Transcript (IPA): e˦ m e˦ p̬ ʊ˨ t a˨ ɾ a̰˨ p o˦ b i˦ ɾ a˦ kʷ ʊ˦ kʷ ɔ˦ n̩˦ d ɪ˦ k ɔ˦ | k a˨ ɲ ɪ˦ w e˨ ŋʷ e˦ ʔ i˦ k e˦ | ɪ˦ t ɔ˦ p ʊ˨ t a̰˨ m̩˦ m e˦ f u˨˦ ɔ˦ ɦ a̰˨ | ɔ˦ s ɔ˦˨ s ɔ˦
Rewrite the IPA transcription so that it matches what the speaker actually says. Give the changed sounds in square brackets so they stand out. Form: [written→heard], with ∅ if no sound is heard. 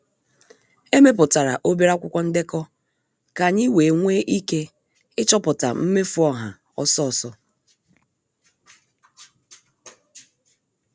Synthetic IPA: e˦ m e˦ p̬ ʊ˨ t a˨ ɾ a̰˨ [p→ʔ] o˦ b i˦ ɾ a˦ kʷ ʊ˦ kʷ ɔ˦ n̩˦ d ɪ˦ k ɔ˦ | k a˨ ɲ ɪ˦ w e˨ ŋʷ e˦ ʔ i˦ k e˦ | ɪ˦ [t→t͡ʃ] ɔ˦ p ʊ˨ t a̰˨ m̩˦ m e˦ f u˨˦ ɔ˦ ɦ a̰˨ | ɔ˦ s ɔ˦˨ s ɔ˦